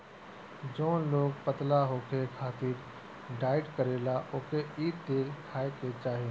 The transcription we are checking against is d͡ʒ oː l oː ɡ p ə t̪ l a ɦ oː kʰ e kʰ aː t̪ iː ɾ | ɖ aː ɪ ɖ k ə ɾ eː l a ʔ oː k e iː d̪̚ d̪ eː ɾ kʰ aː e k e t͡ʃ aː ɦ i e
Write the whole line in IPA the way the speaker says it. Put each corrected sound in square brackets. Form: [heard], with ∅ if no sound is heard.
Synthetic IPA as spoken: d͡ʒ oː l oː ɡ p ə t̪ l a ɦ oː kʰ e kʰ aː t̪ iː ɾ | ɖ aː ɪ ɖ k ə ɾ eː l a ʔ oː k e iː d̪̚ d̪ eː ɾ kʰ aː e k e t͡ʃ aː ɦ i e